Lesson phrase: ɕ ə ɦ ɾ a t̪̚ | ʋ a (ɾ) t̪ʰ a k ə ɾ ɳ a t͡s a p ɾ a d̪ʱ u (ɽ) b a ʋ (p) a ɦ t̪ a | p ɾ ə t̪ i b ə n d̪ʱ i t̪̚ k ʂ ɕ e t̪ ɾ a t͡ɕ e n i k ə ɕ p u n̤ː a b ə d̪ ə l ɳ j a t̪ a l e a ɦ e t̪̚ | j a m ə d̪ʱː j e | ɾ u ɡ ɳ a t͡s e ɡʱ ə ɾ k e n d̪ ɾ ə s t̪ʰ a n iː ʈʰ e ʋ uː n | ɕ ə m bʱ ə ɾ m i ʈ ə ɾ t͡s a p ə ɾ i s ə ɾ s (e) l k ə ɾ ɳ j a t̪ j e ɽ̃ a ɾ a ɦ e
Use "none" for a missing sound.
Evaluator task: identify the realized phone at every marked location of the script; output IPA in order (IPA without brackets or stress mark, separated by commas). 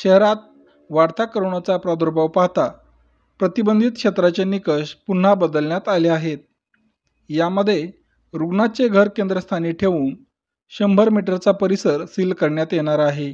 ɾ, ɾ, p, i